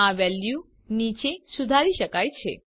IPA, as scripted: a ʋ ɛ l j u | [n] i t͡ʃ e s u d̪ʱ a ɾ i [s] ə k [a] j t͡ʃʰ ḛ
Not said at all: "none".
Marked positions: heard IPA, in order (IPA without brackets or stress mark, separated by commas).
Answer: n, ʃ, a